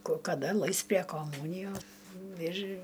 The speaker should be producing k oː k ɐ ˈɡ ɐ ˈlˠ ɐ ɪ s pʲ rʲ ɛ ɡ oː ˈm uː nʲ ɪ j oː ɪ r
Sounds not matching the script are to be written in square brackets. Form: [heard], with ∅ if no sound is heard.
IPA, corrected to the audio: k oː k ɐ [ˈd] ɐ ˈlˠ ɐ ɪ s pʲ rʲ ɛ [k] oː ˈm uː nʲ ɪ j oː ɪ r

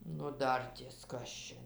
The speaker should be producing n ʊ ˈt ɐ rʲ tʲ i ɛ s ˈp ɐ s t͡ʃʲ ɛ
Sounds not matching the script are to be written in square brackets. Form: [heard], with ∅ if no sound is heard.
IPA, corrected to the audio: n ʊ [ˈd] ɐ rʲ tʲ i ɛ s [ˈk] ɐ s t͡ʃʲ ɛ

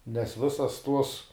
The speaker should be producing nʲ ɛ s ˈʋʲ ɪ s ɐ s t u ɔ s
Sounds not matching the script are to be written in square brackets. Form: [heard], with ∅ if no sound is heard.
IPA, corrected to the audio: nʲ ɛ s ˈʋʲ ɪ s ɐ s t u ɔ s

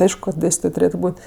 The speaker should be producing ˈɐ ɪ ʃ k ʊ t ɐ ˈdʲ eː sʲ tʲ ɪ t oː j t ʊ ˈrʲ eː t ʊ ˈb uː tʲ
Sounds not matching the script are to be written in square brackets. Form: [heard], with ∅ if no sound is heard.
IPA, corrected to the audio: ˈɐ ɪ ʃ k ʊ [k] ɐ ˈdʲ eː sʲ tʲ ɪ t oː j t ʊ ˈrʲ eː t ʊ ˈb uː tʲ

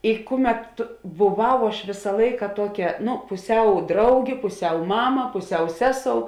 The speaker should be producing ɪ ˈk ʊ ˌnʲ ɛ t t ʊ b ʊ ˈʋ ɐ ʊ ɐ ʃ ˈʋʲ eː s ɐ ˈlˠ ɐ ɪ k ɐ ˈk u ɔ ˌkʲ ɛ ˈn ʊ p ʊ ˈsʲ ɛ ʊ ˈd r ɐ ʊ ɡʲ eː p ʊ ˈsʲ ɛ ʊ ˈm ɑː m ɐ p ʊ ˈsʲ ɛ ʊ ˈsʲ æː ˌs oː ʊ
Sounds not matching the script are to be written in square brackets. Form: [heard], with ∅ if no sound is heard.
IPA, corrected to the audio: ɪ ˈk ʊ [ˌmʲ] ɛ t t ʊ b ʊ ˈʋ ɐ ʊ ɐ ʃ ˈʋʲ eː s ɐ ˈlˠ ɐ ɪ k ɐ [ˈt] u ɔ ˌkʲ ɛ ˈn ʊ p ʊ ˈsʲ ɛ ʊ ˈd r ɐ ʊ ɡʲ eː p ʊ ˈsʲ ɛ ʊ ˈm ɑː m ɐ p ʊ ˈsʲ ɛ ʊ ˈsʲ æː ˌs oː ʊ

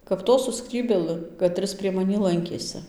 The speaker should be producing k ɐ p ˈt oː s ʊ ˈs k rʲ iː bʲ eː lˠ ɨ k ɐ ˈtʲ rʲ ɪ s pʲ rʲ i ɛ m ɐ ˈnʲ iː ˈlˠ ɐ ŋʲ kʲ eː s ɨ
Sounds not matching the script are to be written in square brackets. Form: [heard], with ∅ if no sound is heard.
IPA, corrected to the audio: k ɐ p ˈt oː s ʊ ˈs k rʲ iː bʲ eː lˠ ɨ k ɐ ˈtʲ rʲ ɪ s pʲ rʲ i ɛ m ɐ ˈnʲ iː ˈlˠ ɐ ŋʲ kʲ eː s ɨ

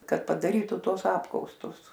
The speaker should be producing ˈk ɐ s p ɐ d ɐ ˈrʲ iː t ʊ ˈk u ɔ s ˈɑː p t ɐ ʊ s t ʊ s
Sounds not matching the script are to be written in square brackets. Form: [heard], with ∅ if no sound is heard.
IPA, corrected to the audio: ˈk ɐ [t] p ɐ d ɐ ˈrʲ iː t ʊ [ˈt] u ɔ s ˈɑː p [k] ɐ ʊ s t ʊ s

